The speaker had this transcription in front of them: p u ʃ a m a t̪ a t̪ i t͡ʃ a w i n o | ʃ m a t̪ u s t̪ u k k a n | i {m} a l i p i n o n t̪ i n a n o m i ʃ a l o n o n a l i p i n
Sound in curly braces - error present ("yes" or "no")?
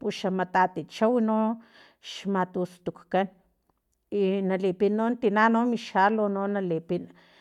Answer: yes